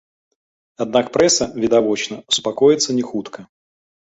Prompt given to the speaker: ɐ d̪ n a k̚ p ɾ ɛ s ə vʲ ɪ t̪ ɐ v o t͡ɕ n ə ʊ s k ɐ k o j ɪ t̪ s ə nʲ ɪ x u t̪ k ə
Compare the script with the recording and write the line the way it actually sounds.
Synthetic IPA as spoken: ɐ d̪ n a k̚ p ɾ ɛ s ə vʲ ɪ d̪ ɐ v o t͡ɕ n ə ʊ s p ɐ k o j ɪ t̪ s ə nʲ ɪ x u t̪ k ə